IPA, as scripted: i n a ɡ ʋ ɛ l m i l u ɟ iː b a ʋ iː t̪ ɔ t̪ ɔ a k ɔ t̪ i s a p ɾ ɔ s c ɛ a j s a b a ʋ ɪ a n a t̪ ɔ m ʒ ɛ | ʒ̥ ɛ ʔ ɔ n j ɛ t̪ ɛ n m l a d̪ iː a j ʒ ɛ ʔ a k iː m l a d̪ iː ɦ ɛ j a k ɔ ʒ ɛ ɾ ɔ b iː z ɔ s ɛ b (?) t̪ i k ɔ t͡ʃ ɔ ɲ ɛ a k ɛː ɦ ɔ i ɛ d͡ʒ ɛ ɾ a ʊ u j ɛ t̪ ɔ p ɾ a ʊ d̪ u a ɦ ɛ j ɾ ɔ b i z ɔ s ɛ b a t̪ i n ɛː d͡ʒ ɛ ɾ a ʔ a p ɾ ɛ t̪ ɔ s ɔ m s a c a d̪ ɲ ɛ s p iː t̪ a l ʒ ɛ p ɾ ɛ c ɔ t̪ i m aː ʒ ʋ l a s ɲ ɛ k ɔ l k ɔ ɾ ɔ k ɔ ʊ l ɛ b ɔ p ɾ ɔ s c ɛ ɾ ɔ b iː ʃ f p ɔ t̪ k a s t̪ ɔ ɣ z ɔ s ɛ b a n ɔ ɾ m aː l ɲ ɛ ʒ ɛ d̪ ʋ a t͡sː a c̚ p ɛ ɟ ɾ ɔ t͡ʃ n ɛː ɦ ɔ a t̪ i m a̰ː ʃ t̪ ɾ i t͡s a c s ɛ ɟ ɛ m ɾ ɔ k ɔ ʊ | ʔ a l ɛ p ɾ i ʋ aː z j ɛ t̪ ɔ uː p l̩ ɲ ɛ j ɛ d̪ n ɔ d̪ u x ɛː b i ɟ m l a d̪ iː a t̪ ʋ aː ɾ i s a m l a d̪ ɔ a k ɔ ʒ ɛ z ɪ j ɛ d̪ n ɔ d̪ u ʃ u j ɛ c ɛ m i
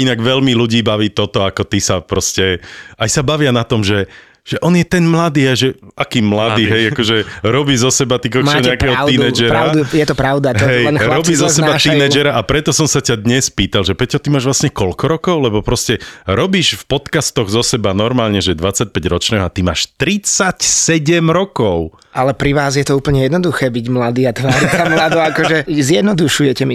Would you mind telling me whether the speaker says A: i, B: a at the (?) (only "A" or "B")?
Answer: B